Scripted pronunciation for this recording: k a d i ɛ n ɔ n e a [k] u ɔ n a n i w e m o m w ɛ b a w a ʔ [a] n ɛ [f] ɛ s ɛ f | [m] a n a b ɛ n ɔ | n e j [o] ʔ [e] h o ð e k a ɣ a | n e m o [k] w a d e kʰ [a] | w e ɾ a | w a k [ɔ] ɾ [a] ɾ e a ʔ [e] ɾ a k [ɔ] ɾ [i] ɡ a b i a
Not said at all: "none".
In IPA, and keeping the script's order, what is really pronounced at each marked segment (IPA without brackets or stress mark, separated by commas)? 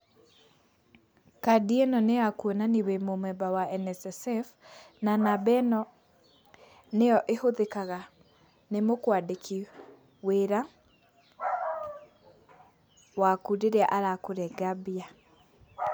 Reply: k, ɛ, s, n, ɔ, e, k, i, u, e, a, o, ɛ